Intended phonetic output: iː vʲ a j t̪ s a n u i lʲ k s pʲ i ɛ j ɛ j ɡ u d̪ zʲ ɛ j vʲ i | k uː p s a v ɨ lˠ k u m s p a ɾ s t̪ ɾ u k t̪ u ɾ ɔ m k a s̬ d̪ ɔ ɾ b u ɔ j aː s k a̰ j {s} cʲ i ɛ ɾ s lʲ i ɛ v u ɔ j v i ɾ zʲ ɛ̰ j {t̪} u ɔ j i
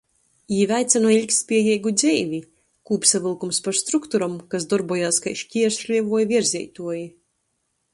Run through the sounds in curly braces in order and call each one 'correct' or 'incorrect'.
incorrect: ʃ, correct

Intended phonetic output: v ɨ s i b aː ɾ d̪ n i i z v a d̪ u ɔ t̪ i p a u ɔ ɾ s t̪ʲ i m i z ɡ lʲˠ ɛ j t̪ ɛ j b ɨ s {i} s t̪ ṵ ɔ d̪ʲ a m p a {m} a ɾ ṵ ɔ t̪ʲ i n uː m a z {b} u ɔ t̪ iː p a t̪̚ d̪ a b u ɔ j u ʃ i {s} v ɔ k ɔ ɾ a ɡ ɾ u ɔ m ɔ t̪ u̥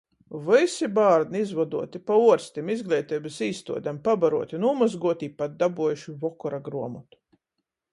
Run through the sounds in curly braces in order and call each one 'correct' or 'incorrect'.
incorrect: iː, incorrect: b, incorrect: ɡ, incorrect: none

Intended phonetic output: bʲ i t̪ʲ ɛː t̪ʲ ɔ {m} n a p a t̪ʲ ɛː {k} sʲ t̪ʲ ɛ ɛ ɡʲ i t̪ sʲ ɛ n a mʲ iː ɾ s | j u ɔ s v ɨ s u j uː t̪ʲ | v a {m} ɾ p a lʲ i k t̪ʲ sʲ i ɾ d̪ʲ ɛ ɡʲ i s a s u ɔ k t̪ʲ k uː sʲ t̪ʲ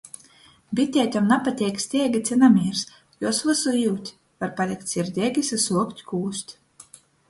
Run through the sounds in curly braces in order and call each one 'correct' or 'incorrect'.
correct, correct, incorrect: none

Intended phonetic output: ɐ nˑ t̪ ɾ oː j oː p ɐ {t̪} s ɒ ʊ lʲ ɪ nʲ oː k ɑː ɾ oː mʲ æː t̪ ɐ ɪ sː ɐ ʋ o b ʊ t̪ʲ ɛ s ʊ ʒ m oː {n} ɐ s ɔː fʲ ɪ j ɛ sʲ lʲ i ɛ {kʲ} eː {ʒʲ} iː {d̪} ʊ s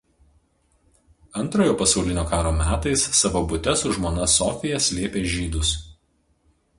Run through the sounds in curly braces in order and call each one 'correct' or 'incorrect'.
incorrect: none, correct, incorrect: pʲ, correct, correct

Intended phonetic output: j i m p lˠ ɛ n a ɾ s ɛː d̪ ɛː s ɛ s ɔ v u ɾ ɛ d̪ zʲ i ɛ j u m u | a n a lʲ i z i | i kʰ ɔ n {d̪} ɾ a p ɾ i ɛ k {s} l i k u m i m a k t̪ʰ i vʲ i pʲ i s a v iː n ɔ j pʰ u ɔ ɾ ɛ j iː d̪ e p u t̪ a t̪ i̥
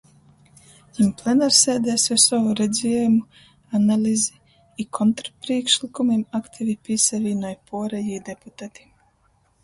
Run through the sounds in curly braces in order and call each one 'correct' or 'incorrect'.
incorrect: t̪, incorrect: ʃ

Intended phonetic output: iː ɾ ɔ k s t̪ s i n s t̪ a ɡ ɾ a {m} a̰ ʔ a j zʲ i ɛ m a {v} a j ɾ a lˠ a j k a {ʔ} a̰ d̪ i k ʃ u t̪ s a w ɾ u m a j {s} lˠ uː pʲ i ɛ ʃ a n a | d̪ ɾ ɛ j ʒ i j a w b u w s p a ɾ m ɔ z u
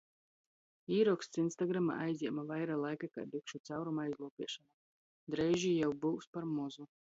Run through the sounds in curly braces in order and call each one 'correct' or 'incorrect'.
correct, correct, incorrect: k, incorrect: z

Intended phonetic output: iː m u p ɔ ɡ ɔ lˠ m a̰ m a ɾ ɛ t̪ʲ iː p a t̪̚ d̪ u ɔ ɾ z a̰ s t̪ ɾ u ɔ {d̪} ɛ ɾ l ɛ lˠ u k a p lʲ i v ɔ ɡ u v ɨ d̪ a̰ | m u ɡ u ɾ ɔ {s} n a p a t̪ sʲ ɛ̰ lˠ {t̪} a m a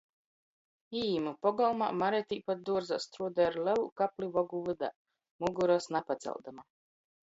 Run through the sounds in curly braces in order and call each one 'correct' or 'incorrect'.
correct, correct, incorrect: d̪

